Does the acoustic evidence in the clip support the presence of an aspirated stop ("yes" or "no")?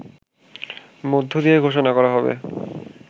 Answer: no